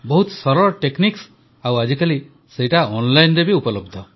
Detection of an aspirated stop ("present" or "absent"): absent